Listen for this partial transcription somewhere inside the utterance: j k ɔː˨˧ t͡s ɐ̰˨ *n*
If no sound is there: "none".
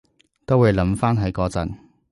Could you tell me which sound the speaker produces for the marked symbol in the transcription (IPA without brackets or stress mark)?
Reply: n